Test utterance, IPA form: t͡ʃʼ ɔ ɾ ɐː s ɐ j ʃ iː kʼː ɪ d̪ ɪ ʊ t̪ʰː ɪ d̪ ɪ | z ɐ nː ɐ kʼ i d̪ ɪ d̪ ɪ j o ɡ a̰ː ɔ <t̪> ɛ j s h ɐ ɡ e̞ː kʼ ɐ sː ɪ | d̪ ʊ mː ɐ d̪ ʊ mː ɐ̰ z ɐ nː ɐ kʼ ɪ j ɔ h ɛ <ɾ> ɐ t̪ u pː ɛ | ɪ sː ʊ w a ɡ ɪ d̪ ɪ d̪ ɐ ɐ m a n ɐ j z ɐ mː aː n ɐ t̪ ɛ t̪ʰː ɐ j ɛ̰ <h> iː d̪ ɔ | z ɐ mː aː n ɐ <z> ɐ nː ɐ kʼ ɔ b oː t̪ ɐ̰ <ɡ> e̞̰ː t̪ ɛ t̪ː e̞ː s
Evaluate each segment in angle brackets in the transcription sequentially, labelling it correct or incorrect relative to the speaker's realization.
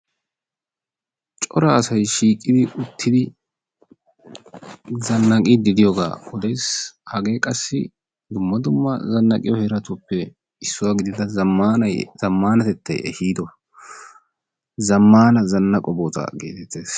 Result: incorrect: d̪, correct, correct, correct, correct

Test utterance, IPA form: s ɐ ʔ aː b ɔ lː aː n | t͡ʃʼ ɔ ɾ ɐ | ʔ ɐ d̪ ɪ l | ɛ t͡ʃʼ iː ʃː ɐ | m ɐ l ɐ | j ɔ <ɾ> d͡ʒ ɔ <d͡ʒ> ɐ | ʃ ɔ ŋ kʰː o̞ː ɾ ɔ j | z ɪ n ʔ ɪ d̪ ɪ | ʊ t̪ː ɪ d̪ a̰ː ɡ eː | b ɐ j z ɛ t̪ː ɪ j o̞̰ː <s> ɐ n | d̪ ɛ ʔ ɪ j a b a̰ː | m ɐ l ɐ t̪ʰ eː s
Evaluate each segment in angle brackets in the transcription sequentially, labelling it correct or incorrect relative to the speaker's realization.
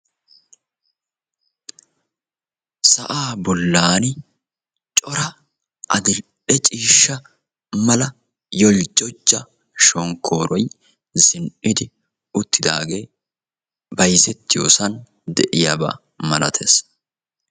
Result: incorrect: l, incorrect: d͡ʒː, correct

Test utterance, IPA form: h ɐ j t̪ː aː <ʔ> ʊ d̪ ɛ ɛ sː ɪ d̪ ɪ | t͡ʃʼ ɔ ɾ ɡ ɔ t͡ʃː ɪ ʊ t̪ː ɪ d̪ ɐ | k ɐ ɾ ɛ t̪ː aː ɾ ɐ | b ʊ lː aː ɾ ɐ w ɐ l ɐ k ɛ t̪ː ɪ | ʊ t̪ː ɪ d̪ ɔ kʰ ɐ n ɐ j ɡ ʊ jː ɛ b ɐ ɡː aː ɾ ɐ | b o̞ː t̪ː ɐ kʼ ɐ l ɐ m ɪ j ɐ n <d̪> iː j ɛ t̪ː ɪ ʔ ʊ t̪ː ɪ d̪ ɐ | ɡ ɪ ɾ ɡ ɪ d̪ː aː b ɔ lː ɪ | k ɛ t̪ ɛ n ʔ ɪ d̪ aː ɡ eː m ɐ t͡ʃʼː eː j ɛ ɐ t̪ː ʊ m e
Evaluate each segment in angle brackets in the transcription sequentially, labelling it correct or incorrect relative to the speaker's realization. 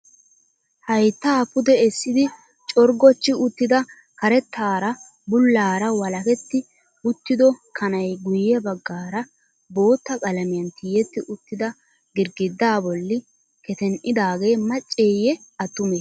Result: incorrect: p, incorrect: t̪

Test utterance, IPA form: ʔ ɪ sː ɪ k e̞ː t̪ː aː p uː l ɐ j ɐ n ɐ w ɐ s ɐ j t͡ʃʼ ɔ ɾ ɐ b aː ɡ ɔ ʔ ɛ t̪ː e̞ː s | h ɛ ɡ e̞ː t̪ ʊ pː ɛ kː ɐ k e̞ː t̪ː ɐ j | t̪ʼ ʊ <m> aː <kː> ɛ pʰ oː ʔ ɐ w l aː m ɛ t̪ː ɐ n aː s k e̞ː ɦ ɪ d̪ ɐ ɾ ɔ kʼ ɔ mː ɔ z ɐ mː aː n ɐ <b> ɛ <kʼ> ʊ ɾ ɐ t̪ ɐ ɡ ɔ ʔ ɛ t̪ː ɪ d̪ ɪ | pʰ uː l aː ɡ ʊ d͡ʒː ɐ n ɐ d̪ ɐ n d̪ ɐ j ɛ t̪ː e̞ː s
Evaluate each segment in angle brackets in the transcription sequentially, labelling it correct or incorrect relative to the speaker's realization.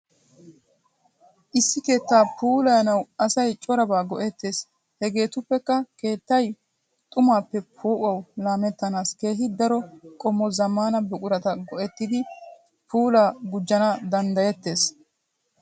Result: correct, incorrect: pː, correct, correct

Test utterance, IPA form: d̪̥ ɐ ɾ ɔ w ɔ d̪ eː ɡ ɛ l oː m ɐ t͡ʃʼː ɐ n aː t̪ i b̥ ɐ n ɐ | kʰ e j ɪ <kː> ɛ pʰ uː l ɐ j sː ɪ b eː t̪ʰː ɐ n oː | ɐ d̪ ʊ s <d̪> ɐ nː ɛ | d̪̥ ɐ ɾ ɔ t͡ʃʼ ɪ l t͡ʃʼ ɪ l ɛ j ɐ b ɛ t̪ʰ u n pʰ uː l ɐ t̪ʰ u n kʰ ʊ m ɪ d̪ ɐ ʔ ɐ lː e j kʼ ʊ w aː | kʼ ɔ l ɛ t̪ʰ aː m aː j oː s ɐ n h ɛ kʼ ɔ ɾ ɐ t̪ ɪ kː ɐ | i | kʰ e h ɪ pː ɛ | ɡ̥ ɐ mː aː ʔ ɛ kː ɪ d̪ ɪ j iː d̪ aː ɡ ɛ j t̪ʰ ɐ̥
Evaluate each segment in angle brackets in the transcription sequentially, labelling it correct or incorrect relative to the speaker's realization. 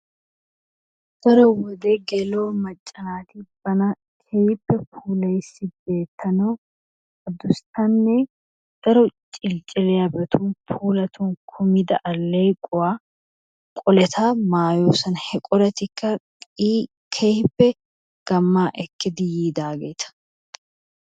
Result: incorrect: pː, incorrect: t̪

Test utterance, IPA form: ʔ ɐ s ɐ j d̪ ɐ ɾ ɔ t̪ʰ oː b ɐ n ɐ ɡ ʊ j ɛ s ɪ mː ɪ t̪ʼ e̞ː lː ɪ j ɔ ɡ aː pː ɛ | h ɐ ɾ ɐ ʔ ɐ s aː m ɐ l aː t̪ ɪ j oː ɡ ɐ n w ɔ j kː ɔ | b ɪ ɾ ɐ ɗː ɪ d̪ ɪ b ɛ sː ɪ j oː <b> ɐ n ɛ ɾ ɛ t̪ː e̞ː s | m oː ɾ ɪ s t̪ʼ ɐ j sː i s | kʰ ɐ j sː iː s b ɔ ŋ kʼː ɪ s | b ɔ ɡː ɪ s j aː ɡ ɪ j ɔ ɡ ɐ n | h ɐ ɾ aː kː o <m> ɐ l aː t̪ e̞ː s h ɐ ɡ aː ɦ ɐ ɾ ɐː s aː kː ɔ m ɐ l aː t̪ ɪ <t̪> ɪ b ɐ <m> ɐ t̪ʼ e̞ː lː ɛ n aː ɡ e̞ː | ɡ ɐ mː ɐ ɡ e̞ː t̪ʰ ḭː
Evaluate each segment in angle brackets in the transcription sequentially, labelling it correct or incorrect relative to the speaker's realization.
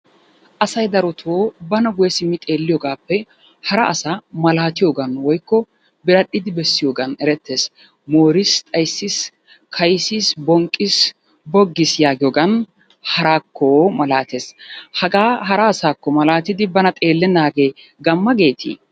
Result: incorrect: ɡ, correct, incorrect: d̪, incorrect: n

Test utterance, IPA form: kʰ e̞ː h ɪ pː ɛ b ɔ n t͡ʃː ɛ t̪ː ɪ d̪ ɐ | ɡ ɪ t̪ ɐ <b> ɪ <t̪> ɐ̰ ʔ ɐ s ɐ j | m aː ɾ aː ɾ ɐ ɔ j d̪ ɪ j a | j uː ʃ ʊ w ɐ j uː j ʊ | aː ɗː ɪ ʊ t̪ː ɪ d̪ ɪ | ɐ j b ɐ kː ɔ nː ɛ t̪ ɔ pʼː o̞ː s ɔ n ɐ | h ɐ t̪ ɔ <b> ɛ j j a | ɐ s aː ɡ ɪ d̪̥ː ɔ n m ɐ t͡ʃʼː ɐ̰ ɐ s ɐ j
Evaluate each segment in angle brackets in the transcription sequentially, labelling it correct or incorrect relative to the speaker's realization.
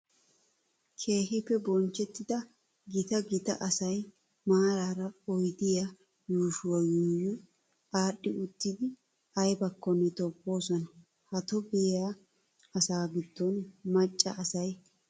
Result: incorrect: ɡ, correct, correct

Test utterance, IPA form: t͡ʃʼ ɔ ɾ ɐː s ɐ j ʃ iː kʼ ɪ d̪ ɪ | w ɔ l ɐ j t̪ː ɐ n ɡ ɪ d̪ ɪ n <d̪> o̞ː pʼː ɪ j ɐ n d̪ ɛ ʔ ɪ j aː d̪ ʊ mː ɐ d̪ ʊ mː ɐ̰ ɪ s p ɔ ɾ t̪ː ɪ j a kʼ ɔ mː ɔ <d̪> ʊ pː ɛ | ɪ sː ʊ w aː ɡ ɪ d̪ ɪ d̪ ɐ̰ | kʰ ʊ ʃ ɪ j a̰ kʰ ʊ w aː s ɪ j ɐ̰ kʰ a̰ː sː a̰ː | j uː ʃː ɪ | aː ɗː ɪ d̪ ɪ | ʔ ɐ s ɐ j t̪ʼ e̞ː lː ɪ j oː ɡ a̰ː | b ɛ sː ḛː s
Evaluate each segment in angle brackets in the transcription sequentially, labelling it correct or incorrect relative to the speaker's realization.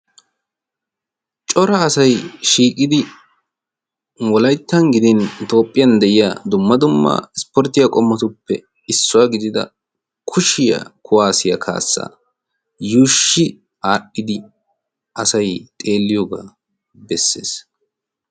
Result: incorrect: t̪, incorrect: t̪

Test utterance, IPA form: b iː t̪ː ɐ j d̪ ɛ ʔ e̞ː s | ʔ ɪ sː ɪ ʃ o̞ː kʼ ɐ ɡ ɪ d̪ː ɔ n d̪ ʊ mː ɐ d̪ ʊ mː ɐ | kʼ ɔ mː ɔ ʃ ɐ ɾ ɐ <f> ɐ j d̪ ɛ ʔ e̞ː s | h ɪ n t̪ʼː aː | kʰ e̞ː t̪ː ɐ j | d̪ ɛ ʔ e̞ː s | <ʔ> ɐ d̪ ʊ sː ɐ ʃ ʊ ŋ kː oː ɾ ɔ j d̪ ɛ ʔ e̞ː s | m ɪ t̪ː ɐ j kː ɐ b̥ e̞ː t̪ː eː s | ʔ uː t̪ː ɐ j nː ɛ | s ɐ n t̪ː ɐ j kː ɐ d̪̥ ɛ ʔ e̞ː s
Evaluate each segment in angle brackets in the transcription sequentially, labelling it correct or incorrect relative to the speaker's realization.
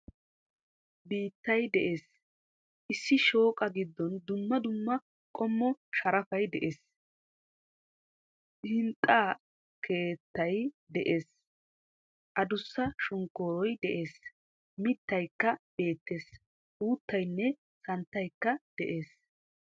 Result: correct, correct

